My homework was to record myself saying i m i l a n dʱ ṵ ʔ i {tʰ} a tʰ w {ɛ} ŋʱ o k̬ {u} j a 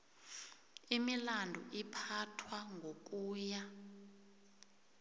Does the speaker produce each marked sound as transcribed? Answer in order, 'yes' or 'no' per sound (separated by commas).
no, no, no